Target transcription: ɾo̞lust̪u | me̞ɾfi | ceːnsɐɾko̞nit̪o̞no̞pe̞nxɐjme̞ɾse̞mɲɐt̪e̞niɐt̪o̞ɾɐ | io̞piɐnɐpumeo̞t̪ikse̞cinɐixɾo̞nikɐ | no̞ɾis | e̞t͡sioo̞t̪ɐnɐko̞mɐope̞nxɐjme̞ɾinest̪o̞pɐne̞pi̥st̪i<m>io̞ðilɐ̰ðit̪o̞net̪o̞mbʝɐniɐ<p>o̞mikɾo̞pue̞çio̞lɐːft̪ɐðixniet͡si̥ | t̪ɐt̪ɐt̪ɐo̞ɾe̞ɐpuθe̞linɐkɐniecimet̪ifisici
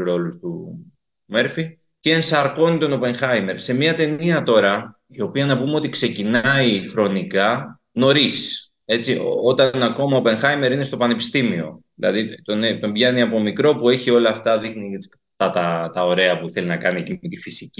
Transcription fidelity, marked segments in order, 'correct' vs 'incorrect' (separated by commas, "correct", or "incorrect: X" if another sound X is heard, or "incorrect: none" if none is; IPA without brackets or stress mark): correct, correct